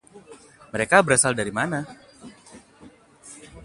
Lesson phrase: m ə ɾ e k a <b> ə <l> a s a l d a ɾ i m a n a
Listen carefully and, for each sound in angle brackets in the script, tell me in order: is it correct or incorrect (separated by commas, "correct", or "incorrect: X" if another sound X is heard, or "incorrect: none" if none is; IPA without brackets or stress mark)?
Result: correct, incorrect: ɾ